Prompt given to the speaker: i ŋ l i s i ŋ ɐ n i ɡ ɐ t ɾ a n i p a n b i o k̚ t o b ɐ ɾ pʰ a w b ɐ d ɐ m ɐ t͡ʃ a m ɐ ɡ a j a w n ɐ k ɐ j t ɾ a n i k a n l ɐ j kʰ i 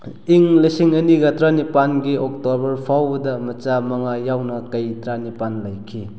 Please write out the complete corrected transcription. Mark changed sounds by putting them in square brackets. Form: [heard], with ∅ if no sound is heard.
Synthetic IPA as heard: i ŋ l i s i ŋ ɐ n i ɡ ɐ t ɾ a n i p a n [ɡ] i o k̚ t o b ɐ ɾ pʰ a w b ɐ d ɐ m ɐ t͡ʃ a m ɐ [ŋ] a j a w n ɐ k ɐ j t ɾ a n i [p] a n l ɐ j kʰ i